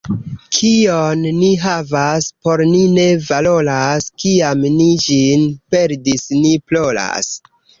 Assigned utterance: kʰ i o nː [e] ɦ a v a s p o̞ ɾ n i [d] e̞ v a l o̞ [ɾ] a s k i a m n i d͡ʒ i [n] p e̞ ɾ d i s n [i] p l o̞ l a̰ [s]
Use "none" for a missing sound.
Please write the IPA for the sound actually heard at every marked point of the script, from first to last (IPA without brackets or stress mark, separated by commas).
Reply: i, n, l, n, i, s